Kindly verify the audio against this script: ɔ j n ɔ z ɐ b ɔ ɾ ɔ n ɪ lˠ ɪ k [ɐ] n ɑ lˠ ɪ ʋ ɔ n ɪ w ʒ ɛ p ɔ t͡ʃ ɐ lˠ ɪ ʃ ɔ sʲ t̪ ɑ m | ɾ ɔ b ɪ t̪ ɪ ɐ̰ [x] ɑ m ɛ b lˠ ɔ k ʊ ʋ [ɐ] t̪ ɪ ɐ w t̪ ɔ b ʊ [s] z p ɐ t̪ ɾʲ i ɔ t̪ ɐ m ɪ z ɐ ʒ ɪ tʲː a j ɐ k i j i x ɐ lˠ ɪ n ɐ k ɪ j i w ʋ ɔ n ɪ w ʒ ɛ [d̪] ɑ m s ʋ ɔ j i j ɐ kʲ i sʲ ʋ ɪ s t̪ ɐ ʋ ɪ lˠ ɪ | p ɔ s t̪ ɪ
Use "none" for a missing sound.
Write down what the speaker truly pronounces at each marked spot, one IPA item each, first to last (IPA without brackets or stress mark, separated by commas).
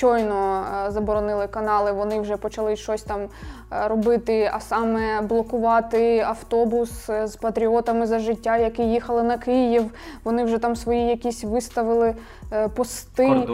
ɐ, s, ɑ, s, t̪